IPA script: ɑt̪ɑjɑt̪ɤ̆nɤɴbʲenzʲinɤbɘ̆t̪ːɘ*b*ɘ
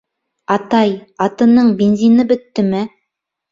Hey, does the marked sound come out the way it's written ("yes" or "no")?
no